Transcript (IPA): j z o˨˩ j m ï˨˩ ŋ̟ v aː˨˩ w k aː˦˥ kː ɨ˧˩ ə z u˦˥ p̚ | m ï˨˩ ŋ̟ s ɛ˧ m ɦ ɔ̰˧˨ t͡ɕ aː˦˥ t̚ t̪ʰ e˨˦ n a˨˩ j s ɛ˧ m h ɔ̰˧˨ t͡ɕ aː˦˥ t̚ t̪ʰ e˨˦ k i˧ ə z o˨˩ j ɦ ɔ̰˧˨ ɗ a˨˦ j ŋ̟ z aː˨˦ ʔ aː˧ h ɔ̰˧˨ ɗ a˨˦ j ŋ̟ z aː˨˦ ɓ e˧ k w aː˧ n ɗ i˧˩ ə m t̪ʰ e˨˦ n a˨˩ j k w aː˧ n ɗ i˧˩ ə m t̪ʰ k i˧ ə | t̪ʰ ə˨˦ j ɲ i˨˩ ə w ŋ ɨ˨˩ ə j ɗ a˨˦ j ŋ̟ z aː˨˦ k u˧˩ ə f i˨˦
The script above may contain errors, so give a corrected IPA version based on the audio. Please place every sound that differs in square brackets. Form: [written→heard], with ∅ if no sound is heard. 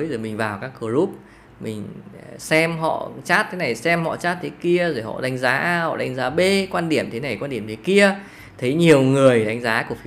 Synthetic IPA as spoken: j z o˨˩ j m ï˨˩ ŋ̟ v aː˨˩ w k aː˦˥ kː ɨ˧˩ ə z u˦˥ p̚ | m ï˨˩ ŋ̟ s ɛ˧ m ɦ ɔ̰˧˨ t͡ɕ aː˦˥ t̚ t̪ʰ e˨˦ n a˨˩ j s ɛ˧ m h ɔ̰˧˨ t͡ɕ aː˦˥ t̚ t̪ʰ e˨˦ k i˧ ə z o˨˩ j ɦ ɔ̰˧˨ ɗ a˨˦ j ŋ̟ z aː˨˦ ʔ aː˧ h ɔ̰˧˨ ɗ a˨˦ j ŋ̟ z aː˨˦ ɓ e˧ k w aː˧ n ɗ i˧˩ ə m t̪ʰ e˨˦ n a˨˩ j k w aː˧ n ɗ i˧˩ ə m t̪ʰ k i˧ ə | t̪ʰ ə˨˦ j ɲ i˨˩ ə w ŋ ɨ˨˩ ə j ɗ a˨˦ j ŋ̟ z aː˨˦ k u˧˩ ə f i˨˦